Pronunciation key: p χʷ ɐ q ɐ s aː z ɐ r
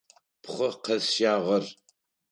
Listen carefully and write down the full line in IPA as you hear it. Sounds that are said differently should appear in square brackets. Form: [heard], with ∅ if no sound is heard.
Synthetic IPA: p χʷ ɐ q ɐ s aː [ʁ] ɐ r

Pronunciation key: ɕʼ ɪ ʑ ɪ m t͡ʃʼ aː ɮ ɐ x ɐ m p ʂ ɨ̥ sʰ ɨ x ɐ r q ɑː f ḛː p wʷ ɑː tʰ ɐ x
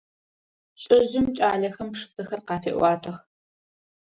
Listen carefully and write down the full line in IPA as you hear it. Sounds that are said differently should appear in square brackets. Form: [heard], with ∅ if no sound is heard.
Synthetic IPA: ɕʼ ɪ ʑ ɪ m t͡ʃʼ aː ɮ ɐ x ɐ m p ʂ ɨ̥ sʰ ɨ x ɐ r q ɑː f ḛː [ʔ] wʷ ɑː tʰ ɐ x

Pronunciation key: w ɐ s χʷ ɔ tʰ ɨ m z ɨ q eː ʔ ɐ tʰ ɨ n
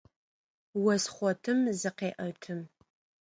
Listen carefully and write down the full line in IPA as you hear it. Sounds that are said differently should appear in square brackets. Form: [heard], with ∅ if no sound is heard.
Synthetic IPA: w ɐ s χʷ ɔ tʰ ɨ m z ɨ q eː ʔ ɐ tʰ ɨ [m]

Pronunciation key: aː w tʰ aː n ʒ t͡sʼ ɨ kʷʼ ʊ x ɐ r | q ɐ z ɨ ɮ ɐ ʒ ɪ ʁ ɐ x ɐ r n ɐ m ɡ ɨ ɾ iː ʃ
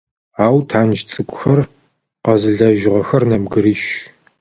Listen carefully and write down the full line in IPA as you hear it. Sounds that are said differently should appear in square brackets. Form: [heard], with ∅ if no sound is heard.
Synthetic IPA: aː w tʰ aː n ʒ t͡sʼ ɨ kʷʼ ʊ x ɐ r | q ɐ z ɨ ɮ ɐ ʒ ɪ ʁ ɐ x ɐ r n ɐ m ɡ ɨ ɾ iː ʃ

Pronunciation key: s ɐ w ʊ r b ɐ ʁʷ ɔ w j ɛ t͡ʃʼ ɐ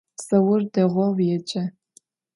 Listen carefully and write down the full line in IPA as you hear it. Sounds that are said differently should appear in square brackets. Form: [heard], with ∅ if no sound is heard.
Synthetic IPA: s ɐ w ʊ r [d] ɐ ʁʷ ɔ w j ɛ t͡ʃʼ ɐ

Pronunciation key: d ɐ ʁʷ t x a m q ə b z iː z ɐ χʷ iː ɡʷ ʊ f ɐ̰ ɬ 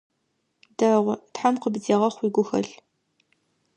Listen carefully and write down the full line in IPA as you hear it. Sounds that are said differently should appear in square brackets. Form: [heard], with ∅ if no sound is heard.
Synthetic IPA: d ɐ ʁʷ t [ħ] a m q ə b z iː [ʁ] ɐ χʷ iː ɡʷ ʊ [x] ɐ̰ ɬ

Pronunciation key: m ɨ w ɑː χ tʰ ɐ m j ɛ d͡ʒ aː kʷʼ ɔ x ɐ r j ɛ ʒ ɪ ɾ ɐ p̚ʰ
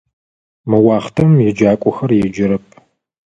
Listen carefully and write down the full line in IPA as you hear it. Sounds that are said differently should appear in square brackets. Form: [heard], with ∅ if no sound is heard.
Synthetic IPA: m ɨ w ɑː χ tʰ ɐ m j ɛ d͡ʒ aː kʷʼ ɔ x ɐ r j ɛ [d͡ʒ] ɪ ɾ ɐ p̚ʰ

